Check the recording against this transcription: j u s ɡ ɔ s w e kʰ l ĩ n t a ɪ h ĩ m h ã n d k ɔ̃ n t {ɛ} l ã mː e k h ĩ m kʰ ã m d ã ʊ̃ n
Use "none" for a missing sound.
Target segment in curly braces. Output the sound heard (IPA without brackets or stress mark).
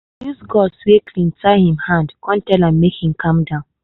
ɛ